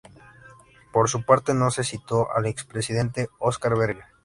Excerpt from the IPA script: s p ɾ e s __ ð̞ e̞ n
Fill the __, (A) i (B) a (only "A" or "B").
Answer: A